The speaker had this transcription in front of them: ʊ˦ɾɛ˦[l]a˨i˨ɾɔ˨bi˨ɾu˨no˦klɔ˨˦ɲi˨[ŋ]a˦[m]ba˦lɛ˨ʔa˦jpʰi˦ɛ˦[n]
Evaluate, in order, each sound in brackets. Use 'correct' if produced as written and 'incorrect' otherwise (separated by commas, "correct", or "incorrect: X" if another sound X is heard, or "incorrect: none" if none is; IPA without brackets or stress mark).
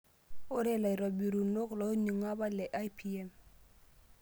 correct, correct, incorrect: none, incorrect: m